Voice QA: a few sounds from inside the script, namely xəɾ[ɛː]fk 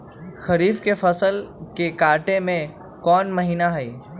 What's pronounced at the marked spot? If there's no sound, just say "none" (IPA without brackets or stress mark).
iː